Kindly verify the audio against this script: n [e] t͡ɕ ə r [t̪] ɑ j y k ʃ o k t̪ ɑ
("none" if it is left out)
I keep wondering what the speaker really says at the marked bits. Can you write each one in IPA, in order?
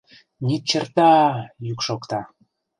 i, t̪

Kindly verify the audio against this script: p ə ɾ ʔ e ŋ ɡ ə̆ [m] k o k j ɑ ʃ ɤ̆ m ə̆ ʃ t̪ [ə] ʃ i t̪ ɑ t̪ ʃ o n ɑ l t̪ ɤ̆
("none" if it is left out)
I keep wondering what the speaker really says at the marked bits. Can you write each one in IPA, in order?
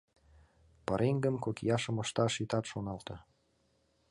m, ɑ

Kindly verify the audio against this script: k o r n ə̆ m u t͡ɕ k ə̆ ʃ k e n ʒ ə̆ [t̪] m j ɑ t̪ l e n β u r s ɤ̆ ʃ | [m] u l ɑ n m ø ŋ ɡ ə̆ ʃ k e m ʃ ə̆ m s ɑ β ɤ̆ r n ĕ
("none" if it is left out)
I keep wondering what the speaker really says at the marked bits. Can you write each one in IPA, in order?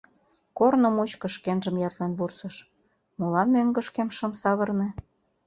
none, m

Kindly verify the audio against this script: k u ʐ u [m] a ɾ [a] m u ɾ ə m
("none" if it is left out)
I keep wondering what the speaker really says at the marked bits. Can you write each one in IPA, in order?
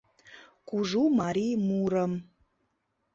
m, i

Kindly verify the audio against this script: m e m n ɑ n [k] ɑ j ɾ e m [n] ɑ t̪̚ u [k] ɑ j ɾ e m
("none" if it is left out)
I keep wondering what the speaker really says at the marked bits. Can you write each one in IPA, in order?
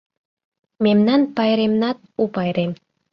p, n, p

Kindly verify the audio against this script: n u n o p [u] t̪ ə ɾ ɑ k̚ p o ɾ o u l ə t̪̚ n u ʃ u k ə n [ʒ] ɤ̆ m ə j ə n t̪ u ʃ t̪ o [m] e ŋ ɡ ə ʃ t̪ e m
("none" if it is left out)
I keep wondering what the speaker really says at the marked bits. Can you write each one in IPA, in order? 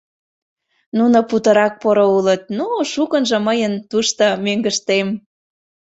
u, ʒ, m

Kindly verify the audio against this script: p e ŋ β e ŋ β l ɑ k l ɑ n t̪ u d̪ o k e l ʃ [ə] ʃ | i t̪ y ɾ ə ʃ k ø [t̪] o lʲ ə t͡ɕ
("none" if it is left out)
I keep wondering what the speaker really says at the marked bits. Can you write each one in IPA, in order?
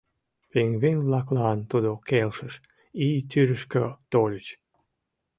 ə, t̪

